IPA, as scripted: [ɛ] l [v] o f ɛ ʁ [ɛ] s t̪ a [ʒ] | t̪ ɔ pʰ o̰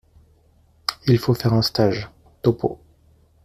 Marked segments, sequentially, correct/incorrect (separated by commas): incorrect, incorrect, incorrect, correct